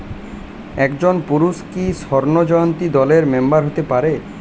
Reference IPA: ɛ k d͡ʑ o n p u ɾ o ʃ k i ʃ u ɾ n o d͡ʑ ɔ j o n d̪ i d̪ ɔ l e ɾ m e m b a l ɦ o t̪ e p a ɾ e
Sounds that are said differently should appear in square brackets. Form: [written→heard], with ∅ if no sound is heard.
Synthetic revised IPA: ɛ k d͡ʑ o n p u ɾ [o→u] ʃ k i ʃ [u→ɔ] ɾ n o d͡ʑ ɔ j o n [d̪→t̪] i d̪ ɔ l e ɾ m e m b a [l→ɾ] ɦ o t̪ e p a ɾ e